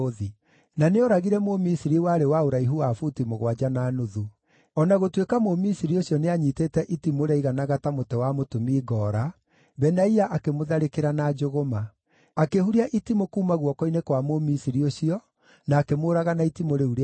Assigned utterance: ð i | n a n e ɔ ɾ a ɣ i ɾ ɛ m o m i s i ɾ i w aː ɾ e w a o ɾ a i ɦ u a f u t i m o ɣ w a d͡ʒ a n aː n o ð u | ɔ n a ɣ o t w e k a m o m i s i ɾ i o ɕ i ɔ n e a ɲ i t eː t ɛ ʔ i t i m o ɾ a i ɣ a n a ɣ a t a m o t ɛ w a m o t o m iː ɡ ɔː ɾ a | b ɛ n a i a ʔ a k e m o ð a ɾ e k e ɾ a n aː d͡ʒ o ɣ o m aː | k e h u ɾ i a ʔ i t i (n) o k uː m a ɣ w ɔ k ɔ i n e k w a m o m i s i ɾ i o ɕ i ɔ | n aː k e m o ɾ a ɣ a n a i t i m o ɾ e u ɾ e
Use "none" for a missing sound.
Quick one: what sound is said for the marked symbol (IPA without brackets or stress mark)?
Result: m